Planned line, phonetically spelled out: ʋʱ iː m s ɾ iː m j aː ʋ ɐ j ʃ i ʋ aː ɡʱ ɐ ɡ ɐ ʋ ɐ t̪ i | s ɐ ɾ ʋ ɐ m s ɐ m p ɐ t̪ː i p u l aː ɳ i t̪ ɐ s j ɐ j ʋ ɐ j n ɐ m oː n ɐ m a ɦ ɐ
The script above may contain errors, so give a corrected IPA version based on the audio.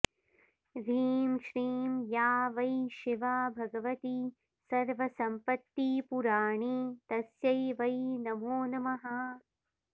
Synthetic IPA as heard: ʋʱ iː m ʃ ɾ iː m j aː ʋ ɐ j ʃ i ʋ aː bʱ ɐ ɡ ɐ ʋ ɐ t̪ i | s ɐ ɾ ʋ ɐ s ɐ m p ɐ t̪ː i p u ɾ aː ɳ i t̪ ɐ s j ɐ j ʋ ɐ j n ɐ m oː n ɐ m ɐ ɦ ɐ